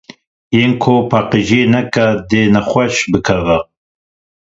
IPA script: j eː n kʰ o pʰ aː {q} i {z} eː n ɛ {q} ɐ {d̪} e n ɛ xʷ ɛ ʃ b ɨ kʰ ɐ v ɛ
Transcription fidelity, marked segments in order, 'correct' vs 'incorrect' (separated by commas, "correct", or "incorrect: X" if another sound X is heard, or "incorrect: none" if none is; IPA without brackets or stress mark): correct, incorrect: ʒ, incorrect: k, correct